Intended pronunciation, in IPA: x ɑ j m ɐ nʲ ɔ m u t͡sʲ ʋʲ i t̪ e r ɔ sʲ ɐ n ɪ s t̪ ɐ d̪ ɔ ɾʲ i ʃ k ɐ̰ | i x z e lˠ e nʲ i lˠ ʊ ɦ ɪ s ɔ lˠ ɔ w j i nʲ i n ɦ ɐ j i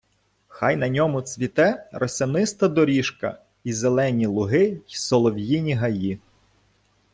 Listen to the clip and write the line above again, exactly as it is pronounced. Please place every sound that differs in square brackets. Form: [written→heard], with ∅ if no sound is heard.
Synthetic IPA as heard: x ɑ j [m→n] ɐ nʲ ɔ m [u→ʊ] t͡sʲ ʋʲ i t̪ [e→ɛ] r ɔ sʲ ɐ n ɪ s t̪ ɐ d̪ ɔ ɾʲ i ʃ k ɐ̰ | i [x→∅] z e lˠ [e→ɛ] nʲ i lˠ ʊ ɦ ɪ s ɔ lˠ ɔ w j i nʲ i [n→∅] ɦ ɐ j i